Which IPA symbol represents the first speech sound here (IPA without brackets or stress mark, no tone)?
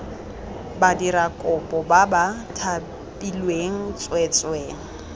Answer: b